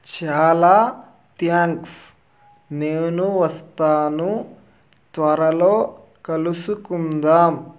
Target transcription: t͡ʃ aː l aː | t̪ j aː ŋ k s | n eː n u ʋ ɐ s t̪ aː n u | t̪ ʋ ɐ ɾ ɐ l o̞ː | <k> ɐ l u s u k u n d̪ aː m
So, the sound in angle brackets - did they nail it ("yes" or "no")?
yes